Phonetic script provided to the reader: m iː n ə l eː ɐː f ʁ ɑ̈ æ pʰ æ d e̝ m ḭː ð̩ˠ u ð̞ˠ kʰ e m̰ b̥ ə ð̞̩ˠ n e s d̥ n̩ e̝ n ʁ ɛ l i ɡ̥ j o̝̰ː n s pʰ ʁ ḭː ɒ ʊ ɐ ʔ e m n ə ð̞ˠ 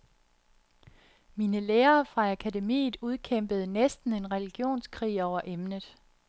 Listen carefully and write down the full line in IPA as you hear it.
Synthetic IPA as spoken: m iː n ə l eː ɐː f ʁ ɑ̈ æ kʰ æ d e̝ m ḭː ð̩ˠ u ð̞ˠ kʰ e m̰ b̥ ə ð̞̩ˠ n e s d̥ n̩ e̝ n ʁ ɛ l i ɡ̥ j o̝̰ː n s kʰ ʁ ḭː ɒ ʊ ɐ ʔ e m n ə ð̞ˠ